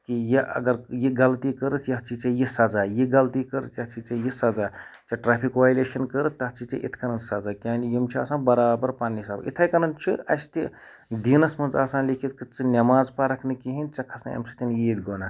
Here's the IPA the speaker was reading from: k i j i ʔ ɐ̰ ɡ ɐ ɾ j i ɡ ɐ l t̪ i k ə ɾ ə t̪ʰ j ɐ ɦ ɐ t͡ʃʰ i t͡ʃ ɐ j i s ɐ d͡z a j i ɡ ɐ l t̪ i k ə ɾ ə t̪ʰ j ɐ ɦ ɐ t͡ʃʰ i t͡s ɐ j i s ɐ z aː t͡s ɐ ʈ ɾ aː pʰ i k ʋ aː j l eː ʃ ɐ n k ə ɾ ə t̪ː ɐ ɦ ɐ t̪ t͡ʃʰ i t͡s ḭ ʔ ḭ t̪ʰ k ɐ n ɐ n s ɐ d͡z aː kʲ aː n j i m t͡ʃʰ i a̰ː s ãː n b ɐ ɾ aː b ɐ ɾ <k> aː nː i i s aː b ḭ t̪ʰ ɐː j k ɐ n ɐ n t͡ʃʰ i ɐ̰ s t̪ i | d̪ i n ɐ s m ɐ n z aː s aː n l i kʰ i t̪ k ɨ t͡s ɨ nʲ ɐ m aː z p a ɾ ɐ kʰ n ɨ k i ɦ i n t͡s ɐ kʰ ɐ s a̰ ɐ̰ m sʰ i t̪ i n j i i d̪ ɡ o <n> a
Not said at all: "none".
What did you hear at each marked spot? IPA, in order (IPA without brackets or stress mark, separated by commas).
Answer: p, n